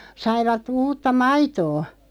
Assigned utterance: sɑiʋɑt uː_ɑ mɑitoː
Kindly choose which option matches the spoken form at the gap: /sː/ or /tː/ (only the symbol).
tː